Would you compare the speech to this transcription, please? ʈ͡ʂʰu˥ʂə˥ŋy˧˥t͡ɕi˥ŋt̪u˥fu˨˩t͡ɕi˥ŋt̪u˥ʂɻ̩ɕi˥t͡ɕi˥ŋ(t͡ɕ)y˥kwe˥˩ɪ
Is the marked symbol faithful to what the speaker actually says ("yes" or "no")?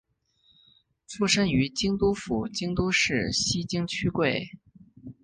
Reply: no